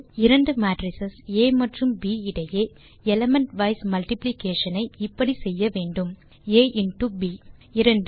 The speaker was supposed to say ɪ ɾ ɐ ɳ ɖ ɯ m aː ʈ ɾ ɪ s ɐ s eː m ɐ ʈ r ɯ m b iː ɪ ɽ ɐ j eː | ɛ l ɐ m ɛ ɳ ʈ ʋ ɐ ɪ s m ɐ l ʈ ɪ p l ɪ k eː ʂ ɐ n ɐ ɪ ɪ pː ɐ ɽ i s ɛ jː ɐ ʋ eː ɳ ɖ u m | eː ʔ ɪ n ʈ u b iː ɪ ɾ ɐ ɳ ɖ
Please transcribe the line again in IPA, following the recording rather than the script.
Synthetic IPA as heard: ɪ ɾ ɐ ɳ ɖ ɯ m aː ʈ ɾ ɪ s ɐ s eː m ɐ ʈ r ɯ m b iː ɪ ɽ ɐ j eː | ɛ l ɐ m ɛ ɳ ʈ ʋ ɐ ɪ s m ɐ l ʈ ɪ p l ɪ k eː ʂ ɐ n ɐ ɪ ɪ pː ɐ ɽ i s ɛ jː ɐ ʋ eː ɳ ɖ ɯ m | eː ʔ ɪ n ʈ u b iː ɪ ɾ ɐ ɳ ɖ